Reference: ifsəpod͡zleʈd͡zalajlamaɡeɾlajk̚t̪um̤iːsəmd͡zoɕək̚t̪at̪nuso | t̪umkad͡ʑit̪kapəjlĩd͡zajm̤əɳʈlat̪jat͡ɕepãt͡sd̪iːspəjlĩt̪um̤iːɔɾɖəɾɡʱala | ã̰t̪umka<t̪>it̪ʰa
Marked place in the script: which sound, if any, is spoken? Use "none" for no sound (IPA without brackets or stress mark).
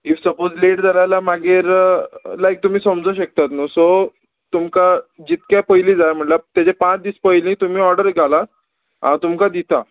d̪